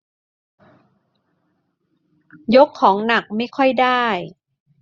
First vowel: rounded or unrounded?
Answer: rounded